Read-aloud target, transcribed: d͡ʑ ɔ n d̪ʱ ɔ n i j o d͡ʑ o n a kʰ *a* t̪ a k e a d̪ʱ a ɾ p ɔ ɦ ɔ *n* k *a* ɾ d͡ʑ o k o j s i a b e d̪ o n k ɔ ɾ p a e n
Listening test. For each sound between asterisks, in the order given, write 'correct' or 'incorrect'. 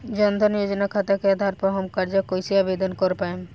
correct, incorrect, correct

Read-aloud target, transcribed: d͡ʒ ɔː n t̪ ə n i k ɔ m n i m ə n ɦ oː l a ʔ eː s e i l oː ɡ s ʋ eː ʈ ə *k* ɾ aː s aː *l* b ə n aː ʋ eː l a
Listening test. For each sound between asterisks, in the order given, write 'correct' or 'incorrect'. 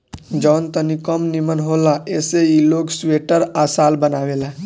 incorrect, correct

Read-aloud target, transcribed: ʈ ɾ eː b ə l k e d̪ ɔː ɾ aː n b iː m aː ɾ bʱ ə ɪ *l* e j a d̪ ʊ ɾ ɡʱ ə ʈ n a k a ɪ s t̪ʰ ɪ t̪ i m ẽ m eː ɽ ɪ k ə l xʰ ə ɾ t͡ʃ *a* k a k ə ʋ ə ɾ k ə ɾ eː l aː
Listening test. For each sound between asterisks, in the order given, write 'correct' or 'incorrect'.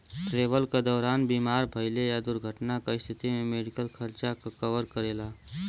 correct, correct

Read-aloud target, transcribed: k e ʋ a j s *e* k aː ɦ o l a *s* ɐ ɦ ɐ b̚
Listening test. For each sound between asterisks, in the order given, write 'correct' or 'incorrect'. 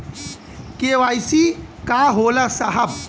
incorrect, correct

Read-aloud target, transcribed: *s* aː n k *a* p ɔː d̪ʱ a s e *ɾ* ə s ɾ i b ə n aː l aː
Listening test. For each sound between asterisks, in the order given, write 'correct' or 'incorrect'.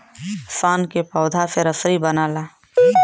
correct, incorrect, correct

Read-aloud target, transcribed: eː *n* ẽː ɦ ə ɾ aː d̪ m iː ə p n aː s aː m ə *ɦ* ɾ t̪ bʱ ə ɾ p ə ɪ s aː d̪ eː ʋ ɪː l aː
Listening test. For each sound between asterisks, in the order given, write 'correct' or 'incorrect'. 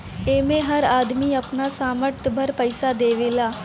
incorrect, incorrect

